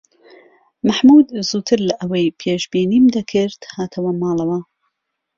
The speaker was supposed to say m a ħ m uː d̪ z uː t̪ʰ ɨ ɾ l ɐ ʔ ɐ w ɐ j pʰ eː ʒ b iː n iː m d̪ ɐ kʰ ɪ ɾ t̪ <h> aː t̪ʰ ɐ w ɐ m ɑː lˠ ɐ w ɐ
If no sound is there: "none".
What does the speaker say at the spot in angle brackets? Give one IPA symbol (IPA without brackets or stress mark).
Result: h